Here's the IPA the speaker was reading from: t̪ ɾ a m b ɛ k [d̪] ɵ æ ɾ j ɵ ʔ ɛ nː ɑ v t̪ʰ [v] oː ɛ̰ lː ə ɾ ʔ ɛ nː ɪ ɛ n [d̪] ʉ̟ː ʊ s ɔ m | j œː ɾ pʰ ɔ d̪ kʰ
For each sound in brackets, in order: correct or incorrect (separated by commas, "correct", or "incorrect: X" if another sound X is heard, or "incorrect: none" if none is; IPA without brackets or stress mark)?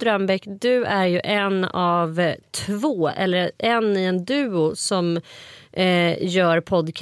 correct, correct, correct